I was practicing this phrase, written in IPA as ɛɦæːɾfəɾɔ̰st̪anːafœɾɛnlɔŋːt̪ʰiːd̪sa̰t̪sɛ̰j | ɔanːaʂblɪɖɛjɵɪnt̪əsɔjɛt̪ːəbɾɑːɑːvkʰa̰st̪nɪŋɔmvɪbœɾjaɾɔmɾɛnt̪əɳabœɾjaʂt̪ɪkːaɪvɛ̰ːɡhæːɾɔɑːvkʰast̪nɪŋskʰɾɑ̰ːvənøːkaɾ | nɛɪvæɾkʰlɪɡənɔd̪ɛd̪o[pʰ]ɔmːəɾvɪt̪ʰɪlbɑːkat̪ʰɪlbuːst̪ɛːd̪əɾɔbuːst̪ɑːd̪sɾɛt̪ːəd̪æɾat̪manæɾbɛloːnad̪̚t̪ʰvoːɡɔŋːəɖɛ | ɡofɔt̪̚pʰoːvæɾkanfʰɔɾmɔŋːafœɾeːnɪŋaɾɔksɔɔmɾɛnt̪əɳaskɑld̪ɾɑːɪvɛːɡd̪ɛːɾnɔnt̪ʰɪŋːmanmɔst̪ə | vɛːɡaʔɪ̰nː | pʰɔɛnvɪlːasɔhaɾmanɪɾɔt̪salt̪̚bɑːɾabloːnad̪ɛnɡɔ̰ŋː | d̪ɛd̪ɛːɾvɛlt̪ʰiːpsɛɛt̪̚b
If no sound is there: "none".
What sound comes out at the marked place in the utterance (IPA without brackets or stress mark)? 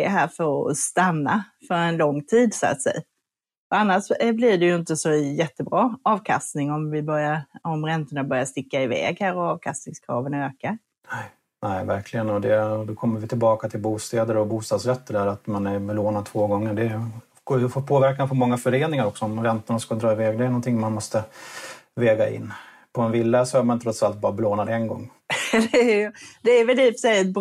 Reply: kʰ